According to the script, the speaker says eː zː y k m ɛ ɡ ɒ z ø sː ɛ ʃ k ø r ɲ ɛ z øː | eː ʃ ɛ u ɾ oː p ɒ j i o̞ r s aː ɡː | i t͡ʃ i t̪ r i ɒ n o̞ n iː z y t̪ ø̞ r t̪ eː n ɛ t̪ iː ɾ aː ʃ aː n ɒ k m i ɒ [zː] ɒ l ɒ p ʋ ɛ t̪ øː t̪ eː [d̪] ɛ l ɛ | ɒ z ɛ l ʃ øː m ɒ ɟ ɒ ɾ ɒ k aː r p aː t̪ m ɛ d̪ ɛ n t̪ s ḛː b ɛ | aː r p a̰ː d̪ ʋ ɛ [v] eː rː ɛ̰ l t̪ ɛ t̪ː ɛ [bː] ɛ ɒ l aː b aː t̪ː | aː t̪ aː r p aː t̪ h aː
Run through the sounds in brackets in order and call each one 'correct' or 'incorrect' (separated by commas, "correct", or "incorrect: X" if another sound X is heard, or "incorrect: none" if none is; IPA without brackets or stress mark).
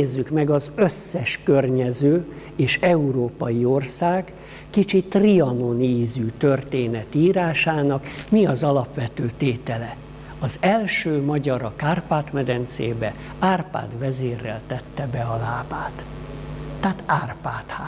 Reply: incorrect: z, incorrect: t̪, incorrect: z, incorrect: b